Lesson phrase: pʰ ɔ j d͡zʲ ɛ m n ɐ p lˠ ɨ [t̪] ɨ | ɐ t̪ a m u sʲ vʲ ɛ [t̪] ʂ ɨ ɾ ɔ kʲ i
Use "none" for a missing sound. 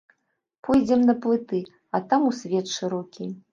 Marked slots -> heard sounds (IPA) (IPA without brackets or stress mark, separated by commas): t̪, t̪